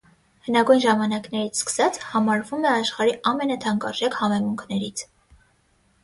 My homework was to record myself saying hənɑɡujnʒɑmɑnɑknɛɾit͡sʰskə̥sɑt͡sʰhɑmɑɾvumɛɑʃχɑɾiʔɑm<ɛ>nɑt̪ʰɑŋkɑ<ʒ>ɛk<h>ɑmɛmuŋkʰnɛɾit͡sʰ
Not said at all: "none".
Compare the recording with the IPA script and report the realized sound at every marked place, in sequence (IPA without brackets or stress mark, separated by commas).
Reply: ɛ, ʒ, h